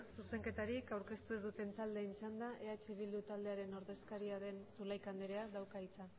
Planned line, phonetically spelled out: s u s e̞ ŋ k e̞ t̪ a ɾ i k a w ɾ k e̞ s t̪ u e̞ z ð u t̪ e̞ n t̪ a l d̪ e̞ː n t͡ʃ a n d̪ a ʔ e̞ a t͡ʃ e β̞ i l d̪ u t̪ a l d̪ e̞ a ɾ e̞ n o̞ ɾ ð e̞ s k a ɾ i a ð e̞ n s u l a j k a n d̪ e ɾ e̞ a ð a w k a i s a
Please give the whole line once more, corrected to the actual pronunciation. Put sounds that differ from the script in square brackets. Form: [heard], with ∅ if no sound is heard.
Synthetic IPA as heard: s u s e̞ ŋ k e̞ t̪ a ɾ i k a w ɾ k e̞ s t̪ u e̞ z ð u t̪ e̞ n t̪ a l d̪ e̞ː n t͡ʃ a n d̪ a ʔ e̞ a t͡ʃ e β̞ i l d̪ u t̪ a l d̪ e̞ a ɾ e̞ n o̞ ɾ ð e̞ s k a ɾ i a ð e̞ n s u l a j k a n d̪ e ɾ e̞ a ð a w k a i [t͡s] a